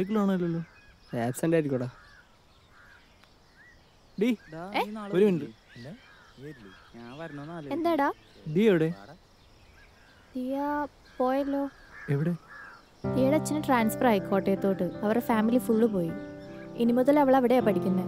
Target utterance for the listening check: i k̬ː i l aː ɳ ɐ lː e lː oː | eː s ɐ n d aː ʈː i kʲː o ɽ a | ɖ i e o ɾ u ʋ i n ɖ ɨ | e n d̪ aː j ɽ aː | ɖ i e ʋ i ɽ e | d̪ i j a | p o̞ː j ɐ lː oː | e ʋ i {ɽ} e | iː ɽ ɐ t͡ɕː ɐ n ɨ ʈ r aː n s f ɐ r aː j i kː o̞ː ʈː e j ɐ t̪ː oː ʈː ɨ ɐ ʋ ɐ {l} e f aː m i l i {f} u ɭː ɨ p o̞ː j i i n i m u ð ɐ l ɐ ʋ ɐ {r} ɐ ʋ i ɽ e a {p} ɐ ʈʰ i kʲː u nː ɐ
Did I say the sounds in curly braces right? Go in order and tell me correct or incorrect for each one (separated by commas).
correct, incorrect, correct, incorrect, correct